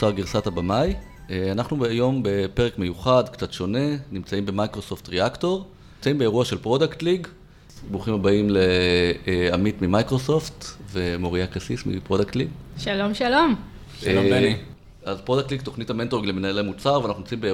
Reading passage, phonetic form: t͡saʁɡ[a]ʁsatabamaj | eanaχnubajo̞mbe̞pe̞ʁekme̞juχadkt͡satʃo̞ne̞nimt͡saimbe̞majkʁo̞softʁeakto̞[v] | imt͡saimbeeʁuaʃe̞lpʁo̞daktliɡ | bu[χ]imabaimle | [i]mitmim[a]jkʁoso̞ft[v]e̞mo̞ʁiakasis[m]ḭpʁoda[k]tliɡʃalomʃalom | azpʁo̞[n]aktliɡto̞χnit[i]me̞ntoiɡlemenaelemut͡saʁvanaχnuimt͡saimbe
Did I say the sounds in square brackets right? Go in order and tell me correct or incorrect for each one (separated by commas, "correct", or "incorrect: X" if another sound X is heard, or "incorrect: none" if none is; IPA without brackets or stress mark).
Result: incorrect: i, incorrect: ʁ, correct, incorrect: a, correct, correct, correct, correct, incorrect: d, incorrect: a